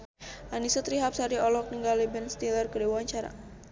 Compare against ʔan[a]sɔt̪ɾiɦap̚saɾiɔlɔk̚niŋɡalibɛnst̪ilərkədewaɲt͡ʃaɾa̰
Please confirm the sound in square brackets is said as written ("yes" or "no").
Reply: no